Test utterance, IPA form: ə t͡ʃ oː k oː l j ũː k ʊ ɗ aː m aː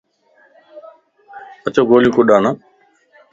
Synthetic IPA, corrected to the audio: ə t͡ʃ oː ɡ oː l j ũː k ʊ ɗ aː n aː